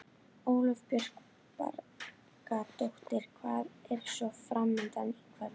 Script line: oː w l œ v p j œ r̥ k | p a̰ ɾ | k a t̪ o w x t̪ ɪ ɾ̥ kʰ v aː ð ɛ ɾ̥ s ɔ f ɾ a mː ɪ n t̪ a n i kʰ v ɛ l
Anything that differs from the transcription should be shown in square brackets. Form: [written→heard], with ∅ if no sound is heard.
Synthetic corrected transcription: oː w l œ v p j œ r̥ k | p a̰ ɾ | k a t̪ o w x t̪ ɪ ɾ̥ kʰ v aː ð ɛ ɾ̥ s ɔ f ɾ a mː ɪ n t̪ a n i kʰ v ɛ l

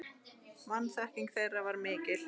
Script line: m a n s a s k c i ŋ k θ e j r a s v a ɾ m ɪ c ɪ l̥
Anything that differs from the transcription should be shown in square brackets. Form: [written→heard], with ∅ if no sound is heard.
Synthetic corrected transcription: m a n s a [s→h] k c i ŋ k θ e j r a [s→∅] v a ɾ m [ɪ→ɪː] c ɪ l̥

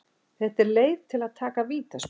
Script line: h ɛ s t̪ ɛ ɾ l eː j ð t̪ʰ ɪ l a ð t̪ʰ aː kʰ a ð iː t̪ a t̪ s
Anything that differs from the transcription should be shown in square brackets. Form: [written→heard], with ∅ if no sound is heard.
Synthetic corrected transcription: [h→θ] ɛ [s→h] t̪ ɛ ɾ l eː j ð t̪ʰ ɪ l a ð t̪ʰ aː [kʰ→k] a [ð→v] iː t̪ a [t̪→∅] s

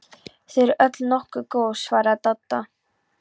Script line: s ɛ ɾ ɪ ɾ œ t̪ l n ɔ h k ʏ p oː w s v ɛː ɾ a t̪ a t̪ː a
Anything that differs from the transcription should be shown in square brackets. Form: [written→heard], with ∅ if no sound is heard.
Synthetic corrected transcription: [s→θ] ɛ ɾ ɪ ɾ œ t̪ l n ɔ h k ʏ [p→k] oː w s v [ɛː→aː] ɾ a t̪ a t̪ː a

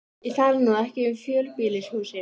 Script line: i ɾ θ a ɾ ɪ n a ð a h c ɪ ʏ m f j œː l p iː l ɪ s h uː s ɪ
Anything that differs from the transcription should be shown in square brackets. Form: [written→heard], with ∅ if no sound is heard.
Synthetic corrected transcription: i [ɾ→∅] θ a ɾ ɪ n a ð [a→ɛ] h c ɪ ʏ m f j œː l p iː l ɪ s h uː s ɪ

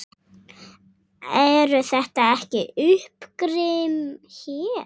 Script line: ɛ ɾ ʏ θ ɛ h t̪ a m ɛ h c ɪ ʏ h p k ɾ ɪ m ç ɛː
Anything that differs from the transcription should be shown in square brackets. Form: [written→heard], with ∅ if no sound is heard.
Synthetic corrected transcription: ɛ ɾ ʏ θ ɛ h t̪ a [m→∅] ɛ h c ɪ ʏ h p k ɾ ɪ m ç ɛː

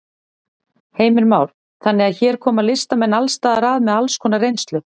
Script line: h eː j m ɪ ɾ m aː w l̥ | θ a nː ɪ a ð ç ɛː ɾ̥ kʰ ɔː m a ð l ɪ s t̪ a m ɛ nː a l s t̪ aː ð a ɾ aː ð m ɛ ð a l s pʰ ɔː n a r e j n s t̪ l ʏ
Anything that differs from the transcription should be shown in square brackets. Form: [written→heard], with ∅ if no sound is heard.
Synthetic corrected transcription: h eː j m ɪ ɾ m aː w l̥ | θ a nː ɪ a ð ç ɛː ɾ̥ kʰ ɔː m a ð l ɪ s t̪ a m ɛ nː a l s t̪ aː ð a ɾ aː ð m ɛ ð a l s [pʰ→kʰ] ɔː n a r e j n s t̪ l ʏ

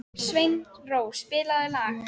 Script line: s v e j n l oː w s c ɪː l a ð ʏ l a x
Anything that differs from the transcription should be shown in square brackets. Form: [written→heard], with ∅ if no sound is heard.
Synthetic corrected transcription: s v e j n [l→r] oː w s [c→p] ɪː l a ð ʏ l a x

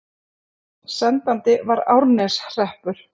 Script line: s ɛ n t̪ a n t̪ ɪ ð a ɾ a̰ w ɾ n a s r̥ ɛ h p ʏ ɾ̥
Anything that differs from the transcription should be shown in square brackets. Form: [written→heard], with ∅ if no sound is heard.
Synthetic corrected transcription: s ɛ n t̪ a n t̪ ɪ [ð→v] a ɾ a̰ w ɾ n [a→ɛ] s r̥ ɛ h p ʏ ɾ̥

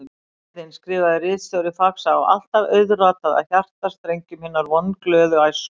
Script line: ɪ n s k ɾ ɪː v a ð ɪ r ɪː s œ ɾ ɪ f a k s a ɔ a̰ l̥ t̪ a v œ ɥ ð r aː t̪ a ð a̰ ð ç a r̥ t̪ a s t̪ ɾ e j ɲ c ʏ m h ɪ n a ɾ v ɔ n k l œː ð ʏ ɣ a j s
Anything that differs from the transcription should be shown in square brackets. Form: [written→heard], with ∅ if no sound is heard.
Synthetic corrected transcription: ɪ n s k ɾ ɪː v a ð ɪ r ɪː s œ ɾ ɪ f a k s a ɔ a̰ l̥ t̪ a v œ ɥ ð r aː t̪ a ð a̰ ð ç a r̥ t̪ a s t̪ ɾ e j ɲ c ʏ m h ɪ n a ɾ v ɔ n k l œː ð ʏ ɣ a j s

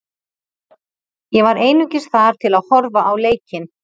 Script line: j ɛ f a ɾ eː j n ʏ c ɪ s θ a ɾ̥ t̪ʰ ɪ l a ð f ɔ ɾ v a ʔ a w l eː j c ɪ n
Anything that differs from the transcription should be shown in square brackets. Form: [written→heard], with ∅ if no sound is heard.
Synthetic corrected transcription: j ɛ [f→v] a ɾ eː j n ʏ c ɪ s θ a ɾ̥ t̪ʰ ɪ l a ð [f→h] ɔ ɾ v a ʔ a w l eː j c ɪ n

